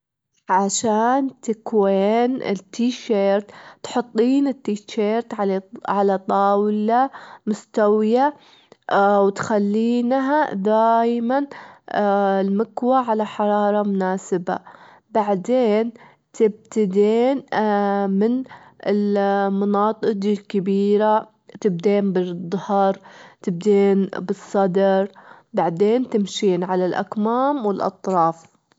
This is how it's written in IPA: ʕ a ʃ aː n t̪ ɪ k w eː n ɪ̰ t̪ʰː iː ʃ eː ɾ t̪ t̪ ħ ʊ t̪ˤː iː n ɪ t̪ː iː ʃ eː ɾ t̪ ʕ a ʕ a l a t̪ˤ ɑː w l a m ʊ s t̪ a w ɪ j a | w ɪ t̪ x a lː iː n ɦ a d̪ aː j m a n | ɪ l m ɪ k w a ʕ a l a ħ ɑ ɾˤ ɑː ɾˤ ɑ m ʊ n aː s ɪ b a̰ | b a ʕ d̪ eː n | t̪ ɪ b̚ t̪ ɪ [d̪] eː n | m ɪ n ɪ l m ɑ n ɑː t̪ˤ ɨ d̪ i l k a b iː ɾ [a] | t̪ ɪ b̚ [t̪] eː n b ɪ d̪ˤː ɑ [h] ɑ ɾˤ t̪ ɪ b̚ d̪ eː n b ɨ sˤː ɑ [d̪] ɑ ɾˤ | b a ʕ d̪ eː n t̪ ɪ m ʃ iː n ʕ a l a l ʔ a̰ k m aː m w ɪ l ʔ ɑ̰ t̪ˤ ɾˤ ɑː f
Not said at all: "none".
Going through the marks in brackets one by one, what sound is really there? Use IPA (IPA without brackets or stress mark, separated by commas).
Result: d̪, a, d̪, h, d̪